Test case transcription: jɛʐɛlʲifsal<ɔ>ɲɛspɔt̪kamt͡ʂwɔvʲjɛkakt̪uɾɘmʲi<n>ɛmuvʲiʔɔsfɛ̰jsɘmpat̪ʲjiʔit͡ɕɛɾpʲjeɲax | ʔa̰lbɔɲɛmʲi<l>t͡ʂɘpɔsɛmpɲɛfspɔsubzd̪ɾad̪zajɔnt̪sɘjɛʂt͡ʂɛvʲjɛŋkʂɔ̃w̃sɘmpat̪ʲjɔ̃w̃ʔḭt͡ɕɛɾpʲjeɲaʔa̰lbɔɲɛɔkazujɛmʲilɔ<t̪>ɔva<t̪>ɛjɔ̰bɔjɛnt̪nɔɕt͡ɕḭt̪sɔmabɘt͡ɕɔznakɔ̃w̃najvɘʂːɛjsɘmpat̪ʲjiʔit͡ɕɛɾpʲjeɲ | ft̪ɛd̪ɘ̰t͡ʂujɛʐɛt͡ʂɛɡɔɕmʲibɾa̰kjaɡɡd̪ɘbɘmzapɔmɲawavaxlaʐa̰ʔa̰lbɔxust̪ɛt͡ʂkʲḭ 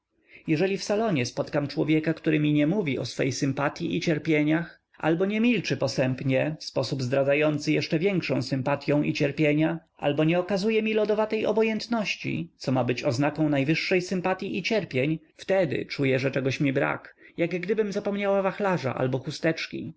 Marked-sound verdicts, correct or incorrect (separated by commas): correct, incorrect, correct, incorrect, correct